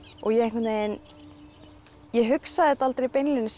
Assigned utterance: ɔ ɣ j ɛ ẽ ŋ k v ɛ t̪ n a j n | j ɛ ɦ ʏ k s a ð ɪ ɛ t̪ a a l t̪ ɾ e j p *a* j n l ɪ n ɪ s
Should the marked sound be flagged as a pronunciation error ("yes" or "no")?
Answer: yes